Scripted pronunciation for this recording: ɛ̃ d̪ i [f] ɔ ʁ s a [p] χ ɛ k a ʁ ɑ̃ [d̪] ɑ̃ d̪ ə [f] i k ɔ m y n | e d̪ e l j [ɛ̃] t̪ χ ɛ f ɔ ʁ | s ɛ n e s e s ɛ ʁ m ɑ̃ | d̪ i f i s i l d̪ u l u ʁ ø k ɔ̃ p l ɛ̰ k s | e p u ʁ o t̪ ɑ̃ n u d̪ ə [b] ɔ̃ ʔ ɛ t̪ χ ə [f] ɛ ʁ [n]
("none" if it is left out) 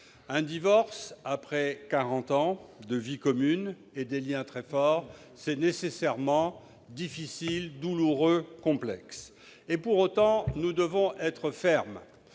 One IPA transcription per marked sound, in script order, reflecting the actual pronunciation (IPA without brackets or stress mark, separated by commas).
v, p, t̪, v, ɛ̃, v, f, m